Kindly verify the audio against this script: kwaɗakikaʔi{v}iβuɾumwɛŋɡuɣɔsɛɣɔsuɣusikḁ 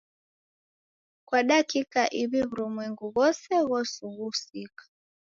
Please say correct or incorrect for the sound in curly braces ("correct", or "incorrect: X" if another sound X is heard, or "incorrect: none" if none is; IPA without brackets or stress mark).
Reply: incorrect: β